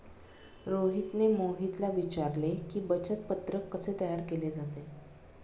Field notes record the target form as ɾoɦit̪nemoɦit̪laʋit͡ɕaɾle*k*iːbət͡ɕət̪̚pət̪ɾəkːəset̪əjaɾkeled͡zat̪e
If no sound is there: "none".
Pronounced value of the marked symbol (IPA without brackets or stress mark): k